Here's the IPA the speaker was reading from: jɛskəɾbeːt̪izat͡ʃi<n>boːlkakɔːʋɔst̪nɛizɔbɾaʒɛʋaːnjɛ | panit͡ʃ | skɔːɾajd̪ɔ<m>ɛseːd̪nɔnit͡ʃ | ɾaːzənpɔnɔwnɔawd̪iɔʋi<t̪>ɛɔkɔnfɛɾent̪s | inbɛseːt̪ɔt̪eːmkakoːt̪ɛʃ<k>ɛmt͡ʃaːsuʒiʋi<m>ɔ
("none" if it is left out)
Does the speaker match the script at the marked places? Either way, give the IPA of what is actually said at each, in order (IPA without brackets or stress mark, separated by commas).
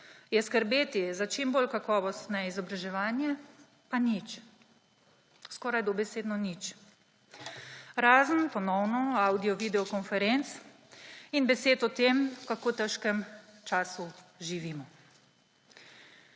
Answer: m, b, d̪, k, m